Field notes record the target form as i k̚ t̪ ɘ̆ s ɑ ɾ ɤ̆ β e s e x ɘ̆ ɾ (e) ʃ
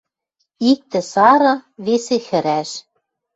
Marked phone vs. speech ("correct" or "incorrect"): incorrect